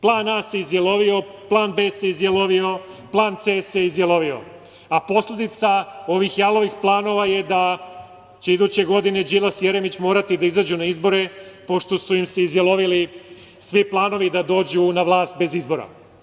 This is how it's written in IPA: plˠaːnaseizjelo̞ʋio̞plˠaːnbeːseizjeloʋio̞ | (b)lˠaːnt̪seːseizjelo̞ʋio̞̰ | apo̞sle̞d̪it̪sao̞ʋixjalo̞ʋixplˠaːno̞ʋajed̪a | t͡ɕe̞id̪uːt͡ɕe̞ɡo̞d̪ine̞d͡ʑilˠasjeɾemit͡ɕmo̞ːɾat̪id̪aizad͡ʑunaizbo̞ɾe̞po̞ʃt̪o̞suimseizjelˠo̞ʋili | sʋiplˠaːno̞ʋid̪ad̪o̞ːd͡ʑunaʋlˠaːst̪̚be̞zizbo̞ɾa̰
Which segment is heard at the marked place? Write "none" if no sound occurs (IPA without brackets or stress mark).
p